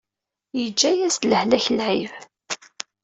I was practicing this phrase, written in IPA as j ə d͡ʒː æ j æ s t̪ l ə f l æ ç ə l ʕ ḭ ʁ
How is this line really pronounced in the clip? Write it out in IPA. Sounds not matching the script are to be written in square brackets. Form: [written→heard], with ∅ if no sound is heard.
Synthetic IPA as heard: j ə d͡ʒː æ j æ s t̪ l ə [f→h] l æ ç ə l ʕ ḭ [ʁ→v]